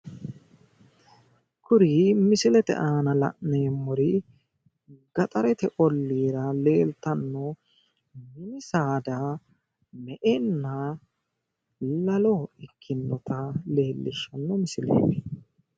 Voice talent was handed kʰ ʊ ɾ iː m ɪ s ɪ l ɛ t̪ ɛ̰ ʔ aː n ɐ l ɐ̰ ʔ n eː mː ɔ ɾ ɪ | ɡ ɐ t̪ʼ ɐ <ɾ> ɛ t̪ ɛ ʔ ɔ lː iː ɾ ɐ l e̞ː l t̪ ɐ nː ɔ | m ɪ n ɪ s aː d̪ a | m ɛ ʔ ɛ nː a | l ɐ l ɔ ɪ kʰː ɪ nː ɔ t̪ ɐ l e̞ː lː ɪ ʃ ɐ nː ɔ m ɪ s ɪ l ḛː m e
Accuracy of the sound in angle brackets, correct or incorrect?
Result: correct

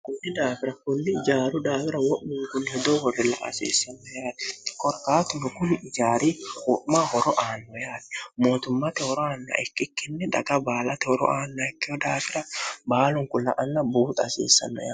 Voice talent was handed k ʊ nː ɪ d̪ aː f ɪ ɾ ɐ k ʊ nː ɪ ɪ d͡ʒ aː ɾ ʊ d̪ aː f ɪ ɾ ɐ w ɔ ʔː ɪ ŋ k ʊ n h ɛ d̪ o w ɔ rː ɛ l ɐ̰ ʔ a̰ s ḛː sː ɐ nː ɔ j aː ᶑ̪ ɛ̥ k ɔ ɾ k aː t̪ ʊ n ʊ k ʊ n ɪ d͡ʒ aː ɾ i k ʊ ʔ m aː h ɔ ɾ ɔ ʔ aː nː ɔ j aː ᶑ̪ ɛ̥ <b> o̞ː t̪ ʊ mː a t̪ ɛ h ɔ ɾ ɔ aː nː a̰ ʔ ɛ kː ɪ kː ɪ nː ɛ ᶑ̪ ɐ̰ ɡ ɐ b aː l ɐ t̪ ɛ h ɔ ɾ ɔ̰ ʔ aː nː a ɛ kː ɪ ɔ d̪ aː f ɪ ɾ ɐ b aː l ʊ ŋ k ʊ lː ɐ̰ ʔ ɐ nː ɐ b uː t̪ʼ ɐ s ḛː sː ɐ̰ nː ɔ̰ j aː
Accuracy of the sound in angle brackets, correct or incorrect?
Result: incorrect: m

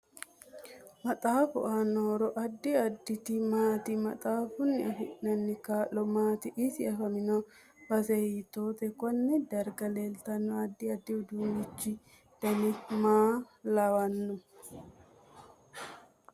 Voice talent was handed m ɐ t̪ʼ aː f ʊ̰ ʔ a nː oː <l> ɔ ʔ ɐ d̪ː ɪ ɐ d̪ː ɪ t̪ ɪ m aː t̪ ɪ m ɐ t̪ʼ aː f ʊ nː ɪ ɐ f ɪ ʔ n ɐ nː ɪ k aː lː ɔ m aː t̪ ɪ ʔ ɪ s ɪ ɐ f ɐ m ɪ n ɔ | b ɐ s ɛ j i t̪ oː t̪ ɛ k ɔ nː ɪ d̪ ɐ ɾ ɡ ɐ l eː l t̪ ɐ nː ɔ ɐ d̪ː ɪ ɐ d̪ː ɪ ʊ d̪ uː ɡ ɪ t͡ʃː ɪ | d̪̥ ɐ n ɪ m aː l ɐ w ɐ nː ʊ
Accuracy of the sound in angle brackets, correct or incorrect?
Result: incorrect: ɾ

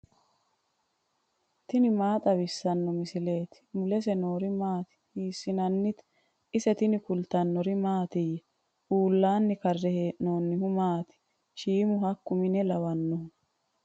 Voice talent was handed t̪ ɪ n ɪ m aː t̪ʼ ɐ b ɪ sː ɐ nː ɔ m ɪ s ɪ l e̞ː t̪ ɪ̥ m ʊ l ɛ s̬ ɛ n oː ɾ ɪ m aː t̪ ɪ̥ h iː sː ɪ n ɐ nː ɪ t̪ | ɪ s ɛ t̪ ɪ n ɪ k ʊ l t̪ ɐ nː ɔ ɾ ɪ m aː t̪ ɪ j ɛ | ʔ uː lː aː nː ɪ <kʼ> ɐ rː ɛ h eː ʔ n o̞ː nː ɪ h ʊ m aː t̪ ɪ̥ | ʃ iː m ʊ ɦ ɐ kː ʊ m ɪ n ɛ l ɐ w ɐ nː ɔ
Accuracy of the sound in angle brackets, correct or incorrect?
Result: incorrect: k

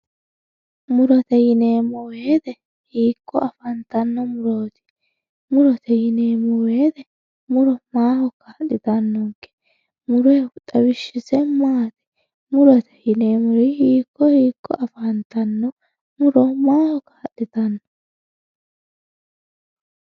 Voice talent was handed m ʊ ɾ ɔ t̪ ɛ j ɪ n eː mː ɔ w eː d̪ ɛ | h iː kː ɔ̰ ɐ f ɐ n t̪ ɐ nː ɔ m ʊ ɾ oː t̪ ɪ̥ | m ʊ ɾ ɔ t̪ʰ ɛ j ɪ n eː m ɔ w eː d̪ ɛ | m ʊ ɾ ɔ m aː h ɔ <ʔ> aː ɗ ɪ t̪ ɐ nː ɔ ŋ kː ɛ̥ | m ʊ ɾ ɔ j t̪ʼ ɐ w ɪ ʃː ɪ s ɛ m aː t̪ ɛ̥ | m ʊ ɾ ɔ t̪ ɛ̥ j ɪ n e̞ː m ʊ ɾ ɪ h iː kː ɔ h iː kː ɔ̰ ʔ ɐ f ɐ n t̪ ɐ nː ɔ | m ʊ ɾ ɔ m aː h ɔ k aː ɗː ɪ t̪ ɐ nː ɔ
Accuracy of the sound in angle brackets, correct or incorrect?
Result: incorrect: k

